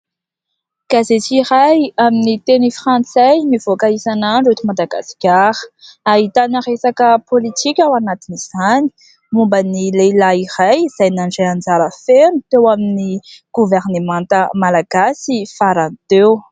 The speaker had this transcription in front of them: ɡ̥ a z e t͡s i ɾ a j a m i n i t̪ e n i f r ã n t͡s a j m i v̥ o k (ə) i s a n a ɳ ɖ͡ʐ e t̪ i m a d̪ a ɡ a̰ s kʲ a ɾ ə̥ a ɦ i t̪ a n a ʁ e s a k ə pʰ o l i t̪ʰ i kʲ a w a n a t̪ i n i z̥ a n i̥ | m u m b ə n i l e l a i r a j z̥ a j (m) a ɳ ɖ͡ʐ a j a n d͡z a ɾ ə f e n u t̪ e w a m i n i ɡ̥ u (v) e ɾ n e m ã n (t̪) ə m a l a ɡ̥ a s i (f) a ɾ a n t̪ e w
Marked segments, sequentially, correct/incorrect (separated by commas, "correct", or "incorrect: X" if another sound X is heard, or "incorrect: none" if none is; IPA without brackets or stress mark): incorrect: a, incorrect: n, correct, correct, correct